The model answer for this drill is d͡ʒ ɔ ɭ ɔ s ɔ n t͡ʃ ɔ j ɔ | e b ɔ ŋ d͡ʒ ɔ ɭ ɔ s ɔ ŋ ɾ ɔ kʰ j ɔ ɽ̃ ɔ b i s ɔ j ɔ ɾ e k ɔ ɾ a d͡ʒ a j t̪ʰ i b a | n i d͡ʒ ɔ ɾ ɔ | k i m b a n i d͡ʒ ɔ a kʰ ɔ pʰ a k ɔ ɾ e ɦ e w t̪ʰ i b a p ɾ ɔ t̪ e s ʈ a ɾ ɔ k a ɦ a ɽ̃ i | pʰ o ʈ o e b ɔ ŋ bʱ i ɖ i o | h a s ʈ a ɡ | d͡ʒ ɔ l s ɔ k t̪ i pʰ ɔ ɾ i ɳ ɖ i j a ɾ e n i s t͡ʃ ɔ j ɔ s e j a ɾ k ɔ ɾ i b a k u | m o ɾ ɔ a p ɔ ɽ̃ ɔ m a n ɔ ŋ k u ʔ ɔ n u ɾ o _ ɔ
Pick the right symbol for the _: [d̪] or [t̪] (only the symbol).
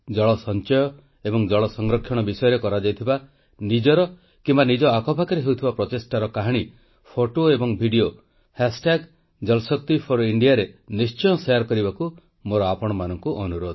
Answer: d̪